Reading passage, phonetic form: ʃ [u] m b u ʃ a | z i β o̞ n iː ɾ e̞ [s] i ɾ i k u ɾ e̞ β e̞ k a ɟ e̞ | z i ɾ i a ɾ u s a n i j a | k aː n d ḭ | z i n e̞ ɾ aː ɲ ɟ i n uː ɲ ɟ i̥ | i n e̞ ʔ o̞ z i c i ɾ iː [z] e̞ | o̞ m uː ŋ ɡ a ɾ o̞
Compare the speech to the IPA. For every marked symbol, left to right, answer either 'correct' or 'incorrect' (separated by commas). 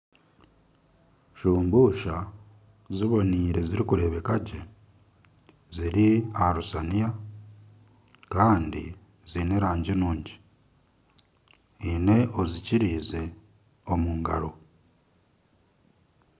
incorrect, incorrect, correct